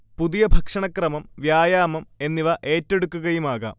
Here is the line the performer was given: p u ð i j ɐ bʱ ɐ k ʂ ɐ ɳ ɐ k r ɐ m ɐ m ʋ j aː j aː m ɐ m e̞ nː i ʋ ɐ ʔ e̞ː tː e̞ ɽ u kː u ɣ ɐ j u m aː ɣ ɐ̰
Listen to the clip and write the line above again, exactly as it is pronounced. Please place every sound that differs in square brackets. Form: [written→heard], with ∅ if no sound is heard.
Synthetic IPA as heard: p u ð i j ɐ bʱ ɐ k ʂ ɐ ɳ ɐ k r ɐ m ɐ m ʋ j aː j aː m ɐ m e̞ nː i ʋ ɐ ʔ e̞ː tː e̞ ɽ u kː u ɣ ɐ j u m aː ɣ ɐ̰